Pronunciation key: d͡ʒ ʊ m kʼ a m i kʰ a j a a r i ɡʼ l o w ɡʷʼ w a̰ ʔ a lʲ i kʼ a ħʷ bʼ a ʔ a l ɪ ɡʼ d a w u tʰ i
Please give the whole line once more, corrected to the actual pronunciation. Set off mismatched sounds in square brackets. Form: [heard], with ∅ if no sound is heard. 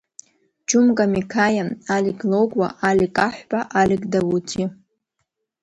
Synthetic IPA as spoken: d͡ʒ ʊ m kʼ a m i kʰ a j a a [l] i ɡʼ l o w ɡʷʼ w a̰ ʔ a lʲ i kʼ a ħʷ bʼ a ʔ a l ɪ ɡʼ d a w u tʰ i